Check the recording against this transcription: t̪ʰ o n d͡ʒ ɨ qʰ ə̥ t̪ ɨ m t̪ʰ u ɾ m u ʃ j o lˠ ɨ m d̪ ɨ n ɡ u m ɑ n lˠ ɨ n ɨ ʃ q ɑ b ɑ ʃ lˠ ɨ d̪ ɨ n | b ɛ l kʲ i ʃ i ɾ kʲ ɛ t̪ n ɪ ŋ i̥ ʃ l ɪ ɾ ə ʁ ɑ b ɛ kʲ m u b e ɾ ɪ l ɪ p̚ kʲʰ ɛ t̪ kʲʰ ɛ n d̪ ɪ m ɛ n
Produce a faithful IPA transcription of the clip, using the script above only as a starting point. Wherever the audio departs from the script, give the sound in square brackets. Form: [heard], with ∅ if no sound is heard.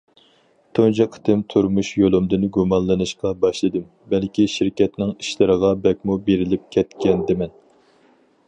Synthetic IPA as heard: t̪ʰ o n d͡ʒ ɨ qʰ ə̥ t̪ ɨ m t̪ʰ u ɾ m u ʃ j o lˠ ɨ m d̪ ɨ n ɡ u m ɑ n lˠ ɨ n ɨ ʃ q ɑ b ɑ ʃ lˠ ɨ d̪ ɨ [m] | b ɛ l kʲ i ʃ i ɾ kʲ ɛ t̪ n ɪ ŋ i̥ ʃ l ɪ ɾ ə ʁ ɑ b ɛ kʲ m u b e ɾ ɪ l ɪ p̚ kʲʰ ɛ t̪ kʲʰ ɛ n d̪ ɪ m ɛ n